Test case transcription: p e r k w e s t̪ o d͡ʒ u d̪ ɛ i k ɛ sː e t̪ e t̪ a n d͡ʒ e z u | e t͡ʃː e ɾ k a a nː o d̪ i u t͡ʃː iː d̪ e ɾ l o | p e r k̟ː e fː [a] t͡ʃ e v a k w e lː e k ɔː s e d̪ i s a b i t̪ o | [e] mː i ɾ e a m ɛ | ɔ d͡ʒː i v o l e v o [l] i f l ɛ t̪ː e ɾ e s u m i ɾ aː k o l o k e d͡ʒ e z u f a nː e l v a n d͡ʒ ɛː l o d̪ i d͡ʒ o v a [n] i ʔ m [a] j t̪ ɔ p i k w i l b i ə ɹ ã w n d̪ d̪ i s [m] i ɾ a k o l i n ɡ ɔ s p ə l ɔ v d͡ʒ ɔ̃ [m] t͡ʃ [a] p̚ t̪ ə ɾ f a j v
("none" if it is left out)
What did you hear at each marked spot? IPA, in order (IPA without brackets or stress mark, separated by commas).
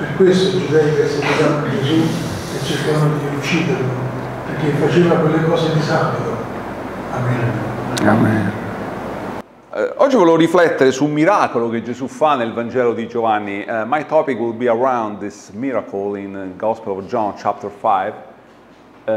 a, a, ɾ, nː, a, m, n, a